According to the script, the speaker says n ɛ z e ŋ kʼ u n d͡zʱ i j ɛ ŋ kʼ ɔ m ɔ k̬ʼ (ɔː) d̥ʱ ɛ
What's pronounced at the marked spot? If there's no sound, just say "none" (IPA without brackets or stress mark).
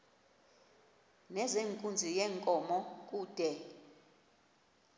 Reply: uː